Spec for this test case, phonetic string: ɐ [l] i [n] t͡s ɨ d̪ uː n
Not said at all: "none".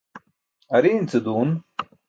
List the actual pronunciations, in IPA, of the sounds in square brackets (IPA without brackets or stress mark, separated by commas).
ɾ, n